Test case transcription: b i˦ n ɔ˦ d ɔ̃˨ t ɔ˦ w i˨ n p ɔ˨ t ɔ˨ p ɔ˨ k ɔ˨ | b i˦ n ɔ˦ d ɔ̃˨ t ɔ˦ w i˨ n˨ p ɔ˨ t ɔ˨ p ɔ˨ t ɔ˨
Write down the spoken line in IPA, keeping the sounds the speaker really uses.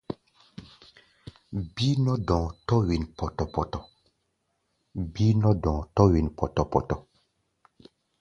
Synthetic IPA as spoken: b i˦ n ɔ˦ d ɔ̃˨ t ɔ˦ w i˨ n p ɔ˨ t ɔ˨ p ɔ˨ t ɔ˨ | b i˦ n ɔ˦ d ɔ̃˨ t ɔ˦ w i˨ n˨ p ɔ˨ t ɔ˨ p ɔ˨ t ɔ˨